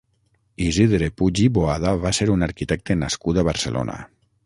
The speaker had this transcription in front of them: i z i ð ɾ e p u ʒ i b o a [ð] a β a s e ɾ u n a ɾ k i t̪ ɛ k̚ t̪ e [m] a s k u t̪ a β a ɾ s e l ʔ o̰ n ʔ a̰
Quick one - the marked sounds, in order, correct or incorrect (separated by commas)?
correct, incorrect